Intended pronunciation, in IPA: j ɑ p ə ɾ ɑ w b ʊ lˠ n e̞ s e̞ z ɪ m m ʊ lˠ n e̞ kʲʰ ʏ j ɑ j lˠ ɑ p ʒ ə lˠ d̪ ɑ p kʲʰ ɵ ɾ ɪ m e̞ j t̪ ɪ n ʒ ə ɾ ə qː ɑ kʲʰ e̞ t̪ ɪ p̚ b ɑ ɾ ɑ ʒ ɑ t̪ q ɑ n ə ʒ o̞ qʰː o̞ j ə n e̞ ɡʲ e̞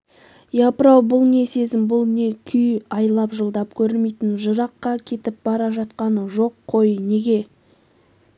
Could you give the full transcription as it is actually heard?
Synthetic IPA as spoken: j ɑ p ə ɾ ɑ w b ʊ lˠ n e̞ s e̞ z ɪ m b ʊ lˠ n e̞ kʲʰ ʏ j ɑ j lˠ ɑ p ʒ ə lˠ d̪ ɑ p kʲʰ ɵ ɾ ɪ m e̞ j t̪ ɪ n ʒ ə ɾ ɑ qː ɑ kʲʰ e̞ t̪ ɪ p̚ b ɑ ɾ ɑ ʒ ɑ t̪ q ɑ n ə ʒ o̞ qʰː o̞ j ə n e̞ ɡʲ e̞

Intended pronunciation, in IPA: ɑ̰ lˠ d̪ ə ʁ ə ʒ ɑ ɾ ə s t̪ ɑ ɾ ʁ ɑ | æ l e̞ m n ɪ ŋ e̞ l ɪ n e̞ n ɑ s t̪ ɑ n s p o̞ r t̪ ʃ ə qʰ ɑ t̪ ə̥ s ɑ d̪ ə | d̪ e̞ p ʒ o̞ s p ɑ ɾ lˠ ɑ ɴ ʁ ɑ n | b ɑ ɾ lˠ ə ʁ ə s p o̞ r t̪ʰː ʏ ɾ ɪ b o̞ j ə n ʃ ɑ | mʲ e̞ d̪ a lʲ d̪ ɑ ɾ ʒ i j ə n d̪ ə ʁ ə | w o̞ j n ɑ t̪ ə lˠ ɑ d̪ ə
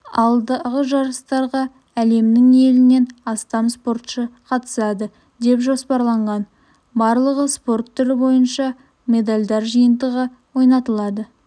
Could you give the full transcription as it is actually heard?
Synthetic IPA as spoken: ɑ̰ lˠ d̪ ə ʁ ə ʒ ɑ ɾ ə s t̪ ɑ ɾ ʁ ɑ | æ l e̞ m n ɪ ŋ e̞ l ɪ n e̞ n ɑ s t̪ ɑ m s p o̞ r t̪ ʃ ə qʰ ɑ t̪ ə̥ s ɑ d̪ ə | d̪ e̞ p ʒ o̞ s p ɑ ɾ lˠ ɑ ɴ ʁ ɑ n | b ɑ ɾ lˠ ə ʁ ə s p o̞ r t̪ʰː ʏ ɾ ɪ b o̞ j ə n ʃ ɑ | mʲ e̞ d̪ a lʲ d̪ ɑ ɾ ʒ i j ə n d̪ ə ʁ ə | w o̞ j n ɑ t̪ ə lˠ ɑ d̪ ə

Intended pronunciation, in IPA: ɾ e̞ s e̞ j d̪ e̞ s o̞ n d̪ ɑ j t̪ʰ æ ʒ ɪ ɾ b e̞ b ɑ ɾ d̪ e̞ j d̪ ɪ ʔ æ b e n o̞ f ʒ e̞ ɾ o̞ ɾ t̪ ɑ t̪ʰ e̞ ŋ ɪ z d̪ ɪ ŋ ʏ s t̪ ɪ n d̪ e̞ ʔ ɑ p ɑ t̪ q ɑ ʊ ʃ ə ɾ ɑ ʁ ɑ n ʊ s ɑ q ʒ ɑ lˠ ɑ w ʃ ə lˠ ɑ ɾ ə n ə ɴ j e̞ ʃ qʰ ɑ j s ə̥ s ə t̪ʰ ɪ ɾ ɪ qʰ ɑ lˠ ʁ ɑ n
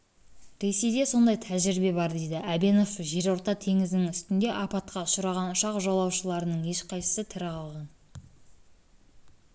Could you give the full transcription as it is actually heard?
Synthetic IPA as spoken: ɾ e̞ s e̞ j d̪ e̞ s o̞ n d̪ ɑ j t̪ʰ æ ʒ ɪ ɾ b e̞ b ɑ ɾ d̪ e̞ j d̪ ɪ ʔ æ b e n o̞ f ʒ e̞ ɾ o̞ ɾ t̪ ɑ t̪ʰ e̞ ŋ ɪ z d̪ ɪ ŋ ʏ s t̪ ɪ n d̪ e̞ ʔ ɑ p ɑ t̪ q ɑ ʊ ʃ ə ɾ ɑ ʁ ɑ n ʊ ʃ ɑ q ʒ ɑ lˠ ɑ w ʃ ə lˠ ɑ ɾ ə n ə ɴ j e̞ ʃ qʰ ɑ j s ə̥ s ə t̪ʰ ɪ ɾ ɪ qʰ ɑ lˠ ʁ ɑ n

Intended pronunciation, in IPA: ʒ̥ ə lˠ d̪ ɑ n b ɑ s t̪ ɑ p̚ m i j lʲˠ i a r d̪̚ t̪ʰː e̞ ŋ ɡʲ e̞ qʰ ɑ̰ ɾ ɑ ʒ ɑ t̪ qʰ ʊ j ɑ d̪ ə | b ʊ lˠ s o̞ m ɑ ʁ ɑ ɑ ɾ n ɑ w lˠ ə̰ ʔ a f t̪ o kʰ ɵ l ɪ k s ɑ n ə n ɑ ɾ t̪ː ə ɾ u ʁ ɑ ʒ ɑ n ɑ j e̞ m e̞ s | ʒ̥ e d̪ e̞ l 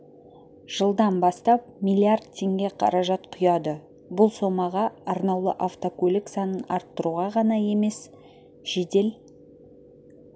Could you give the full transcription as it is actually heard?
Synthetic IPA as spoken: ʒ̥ ə lˠ d̪ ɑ n b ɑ s t̪ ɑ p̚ m i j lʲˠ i a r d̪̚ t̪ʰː e̞ ŋ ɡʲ e̞ qʰ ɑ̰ ɾ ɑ ʒ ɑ t̪ qʰ ʊ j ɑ d̪ ə | b ʊ lˠ s o̞ m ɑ ʁ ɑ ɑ ɾ n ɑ w lˠ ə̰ ʔ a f t̪ o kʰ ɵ l ɪ k s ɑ n ə n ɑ ɾ t̪ː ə ɾ u ʁ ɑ ʁ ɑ n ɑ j e̞ m e̞ s | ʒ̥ e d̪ e̞ l

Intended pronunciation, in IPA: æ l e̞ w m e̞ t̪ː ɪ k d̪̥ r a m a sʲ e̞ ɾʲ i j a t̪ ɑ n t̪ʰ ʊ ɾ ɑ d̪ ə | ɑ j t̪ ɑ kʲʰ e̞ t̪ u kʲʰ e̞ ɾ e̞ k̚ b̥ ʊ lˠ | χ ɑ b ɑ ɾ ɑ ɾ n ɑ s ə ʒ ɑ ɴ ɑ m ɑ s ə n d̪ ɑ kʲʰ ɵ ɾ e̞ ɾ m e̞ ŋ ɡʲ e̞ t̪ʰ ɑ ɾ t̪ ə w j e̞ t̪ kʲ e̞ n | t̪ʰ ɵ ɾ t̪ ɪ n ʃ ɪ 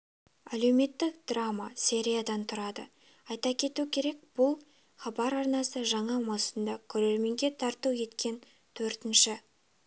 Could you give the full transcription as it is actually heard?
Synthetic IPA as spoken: æ l e̞ w m e̞ t̪ː ɪ k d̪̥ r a m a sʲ e̞ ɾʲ i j a d̪ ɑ n t̪ʰ ʊ ɾ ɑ d̪ ə | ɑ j t̪ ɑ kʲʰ e̞ t̪ u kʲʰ e̞ ɾ e̞ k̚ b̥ ʊ lˠ | χ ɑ b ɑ ɾ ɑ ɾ n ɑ s ə ʒ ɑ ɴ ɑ m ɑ s ə n d̪ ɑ kʲʰ ɵ ɾ e̞ ɾ m e̞ ŋ ɡʲ e̞ t̪ʰ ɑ ɾ t̪ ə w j e̞ t̪ kʲ e̞ n | t̪ʰ ɵ ɾ t̪ ɪ n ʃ ɪ

